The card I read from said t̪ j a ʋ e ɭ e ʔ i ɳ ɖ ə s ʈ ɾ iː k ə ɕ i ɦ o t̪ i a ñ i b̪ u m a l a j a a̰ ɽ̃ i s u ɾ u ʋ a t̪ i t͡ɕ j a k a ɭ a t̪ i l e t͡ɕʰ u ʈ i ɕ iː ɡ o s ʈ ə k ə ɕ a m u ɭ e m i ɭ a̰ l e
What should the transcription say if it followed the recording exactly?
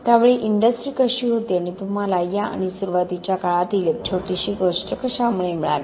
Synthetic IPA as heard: t̪ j a ʋ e ɭ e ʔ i ɳ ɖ ə s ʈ ɾ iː k ə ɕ i ɦ o t̪ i a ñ i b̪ u m a l a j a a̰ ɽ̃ i s u ɾ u ʋ a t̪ i t͡ɕ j a k a ɭ a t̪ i l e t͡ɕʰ o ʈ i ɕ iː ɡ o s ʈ ə k ə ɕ a m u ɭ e m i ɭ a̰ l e

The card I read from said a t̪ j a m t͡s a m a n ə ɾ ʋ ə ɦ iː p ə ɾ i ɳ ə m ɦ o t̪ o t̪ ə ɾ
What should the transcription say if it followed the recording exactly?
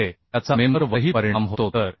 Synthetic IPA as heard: e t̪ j a t͡s a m e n ə ɾ ʋ ə ɦ iː p ə ɾ i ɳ a m ɦ o t̪ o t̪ ə ɾ

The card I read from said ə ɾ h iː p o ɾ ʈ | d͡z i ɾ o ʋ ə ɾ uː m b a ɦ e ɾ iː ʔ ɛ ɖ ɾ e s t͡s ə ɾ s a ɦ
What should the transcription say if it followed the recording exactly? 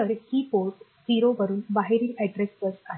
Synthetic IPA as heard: ə ɾ h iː p o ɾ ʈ | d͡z i ɾ o ʋ ə ɾ uː n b a ɦ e ɾ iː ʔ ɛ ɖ ɾ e s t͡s ə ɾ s a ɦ

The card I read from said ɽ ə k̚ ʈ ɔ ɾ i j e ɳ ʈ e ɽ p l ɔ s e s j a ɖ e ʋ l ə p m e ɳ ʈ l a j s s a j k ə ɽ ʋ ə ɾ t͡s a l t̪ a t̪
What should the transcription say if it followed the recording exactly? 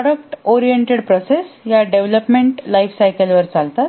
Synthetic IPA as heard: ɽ ə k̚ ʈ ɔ ɾ i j e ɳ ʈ e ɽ p ɾ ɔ s e s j a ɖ e ʋ l ə p m e ɳ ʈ l a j f s a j k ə l ʋ ə ɾ t͡s a l t̪ a t̪

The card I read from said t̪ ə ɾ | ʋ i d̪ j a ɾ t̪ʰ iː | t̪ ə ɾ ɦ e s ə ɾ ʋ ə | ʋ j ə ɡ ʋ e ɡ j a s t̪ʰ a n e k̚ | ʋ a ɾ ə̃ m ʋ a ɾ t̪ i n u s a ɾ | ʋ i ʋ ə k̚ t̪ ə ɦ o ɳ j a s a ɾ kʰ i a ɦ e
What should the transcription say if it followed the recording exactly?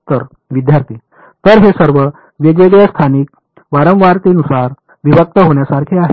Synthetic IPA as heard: t̪ ə ɾ | ʋ i d̪ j a ɾ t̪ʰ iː | t̪ ə ɾ ɦ e s ə ɾ ʋ ə | ʋ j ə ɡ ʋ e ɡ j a s t̪ʰ a n i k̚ | ʋ a ɾ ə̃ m ʋ a ɾ t̪ i n u s a ɾ | ʋ i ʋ ə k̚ t̪ ə ɦ o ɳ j a s a ɾ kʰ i a ɦ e

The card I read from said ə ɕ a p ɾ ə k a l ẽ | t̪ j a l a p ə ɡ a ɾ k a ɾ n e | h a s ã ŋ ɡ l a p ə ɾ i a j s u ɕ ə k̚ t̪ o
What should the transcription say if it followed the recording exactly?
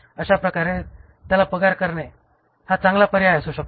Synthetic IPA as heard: ə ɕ a p ɾ ə k a ɾ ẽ | t̪ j a l a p ə ɡ a ɾ k ə ɾ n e | h a t͡s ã ŋ ɡ l a p ə ɾ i a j s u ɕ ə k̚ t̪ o

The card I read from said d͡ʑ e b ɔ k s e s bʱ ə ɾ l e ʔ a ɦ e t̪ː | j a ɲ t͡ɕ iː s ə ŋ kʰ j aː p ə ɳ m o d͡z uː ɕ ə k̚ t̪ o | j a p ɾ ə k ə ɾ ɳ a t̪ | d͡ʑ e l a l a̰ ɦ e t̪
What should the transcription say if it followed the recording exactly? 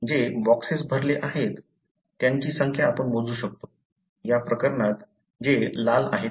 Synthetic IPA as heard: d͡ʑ e b ɔ k s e s bʱ ə ɾ l e ʔ a ɦ e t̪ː | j a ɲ t͡ɕ iː s ə ŋ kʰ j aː p ə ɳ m o d͡z uː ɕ ə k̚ t̪ o | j a p ɾ ə k ə ɾ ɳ a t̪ | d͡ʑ e l a l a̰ ɦ e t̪

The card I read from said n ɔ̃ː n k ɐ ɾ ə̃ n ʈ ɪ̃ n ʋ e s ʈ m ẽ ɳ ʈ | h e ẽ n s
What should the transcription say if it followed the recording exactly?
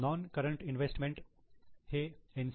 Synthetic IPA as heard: n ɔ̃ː n k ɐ ɾ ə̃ ɳ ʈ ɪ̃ n ʋ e s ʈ m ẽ ɳ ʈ | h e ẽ n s

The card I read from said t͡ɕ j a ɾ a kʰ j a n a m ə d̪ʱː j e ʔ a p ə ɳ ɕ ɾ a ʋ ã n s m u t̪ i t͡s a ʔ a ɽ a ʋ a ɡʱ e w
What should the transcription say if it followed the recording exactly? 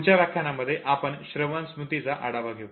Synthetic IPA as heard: t͡ɕ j a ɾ a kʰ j a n a m ə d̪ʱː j e ʔ a p ə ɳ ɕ ɾ ə ʋ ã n s m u t̪ i t͡s a ʔ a ɽ a ʋ a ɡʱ e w

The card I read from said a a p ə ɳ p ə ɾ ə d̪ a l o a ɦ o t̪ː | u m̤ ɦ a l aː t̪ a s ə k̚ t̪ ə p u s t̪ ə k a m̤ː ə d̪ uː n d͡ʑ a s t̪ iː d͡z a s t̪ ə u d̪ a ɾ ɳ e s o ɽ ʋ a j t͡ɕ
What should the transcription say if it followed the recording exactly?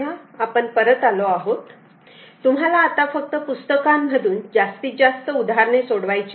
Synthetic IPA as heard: a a p ə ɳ p ə ɾ ə t̪ a l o a ɦ o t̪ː | u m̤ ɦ a l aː t̪ a f ə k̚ t̪ ə p u s t̪ ə k a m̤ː ə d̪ uː n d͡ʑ a s t̪ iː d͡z a s t̪ ə u d̪ a ɾ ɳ e s o ɽ ʋ a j t͡ɕ

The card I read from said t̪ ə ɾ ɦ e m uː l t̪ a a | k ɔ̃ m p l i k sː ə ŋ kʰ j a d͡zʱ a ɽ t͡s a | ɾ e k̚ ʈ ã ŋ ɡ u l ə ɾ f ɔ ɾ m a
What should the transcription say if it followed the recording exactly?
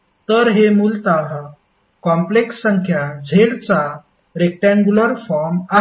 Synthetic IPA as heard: t̪ ə ɾ ɦ e m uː l t̪ a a | k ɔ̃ m p l e k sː ə ŋ kʰ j a d͡zʱ e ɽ t͡s a | ɾ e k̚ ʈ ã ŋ ɡ u l ə ɾ f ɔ ɾ m a

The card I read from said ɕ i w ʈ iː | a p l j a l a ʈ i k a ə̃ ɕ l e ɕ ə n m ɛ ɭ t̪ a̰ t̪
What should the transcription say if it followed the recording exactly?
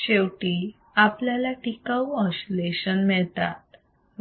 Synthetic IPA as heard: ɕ e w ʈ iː | a p l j a l a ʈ i k a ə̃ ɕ l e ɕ ə n m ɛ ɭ t̪ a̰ t̪

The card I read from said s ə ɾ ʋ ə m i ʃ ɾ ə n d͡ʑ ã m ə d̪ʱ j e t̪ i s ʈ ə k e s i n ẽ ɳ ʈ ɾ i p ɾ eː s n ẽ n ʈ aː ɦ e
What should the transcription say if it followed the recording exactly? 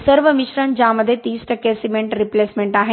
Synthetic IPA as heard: s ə ɾ ʋ ə m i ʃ ɾ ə n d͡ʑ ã m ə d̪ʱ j e t̪ iː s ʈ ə k e s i m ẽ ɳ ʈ ɾ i p l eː s m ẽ ɳ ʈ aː ɦ e

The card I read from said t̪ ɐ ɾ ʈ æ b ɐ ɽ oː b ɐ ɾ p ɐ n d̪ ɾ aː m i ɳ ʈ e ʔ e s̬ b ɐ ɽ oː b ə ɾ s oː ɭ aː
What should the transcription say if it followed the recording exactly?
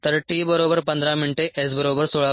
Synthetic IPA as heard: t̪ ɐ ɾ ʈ i b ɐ ɾ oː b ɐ ɾ p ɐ n d̪ ɾ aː m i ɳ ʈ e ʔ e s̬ b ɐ ɾ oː b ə ɾ s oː ɭ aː

